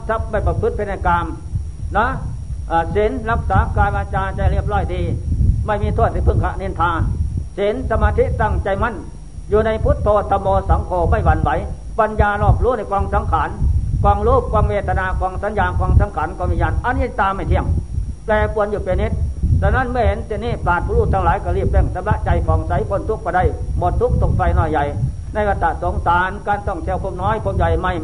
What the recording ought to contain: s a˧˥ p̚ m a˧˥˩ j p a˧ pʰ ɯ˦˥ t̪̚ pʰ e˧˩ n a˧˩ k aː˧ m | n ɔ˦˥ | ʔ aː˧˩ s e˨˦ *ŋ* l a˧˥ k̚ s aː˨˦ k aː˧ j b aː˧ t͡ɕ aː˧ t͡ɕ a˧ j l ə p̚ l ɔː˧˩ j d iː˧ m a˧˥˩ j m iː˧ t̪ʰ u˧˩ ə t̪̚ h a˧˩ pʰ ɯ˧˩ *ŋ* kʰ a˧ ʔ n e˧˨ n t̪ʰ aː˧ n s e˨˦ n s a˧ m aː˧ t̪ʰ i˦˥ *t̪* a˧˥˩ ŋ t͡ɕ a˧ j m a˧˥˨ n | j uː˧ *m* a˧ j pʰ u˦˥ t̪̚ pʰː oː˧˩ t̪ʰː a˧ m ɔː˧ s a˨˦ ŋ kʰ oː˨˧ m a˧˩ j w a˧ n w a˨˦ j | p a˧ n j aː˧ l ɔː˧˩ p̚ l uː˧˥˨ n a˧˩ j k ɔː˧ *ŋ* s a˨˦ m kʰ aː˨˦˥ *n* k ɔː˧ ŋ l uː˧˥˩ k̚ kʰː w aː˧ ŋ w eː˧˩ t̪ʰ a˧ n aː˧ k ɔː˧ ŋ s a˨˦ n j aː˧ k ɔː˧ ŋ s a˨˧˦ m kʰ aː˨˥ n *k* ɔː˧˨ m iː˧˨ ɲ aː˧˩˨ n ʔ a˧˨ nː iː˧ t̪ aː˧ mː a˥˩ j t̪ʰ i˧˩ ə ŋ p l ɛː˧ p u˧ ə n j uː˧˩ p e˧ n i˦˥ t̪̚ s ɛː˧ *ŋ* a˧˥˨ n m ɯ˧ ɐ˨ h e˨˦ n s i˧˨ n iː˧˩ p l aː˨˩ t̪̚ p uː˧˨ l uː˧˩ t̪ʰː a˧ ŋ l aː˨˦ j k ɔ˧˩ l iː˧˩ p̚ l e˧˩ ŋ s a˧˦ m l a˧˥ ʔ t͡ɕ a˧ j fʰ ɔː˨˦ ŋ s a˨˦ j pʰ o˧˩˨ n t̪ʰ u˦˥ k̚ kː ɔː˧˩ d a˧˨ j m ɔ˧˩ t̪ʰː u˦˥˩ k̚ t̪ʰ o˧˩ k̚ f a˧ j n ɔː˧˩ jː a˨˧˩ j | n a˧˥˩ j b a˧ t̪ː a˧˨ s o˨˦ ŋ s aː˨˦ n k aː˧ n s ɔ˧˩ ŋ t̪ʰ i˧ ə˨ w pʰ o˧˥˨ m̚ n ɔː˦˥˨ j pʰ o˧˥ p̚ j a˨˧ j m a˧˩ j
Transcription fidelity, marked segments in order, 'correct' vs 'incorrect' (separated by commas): incorrect, correct, correct, incorrect, correct, correct, correct, incorrect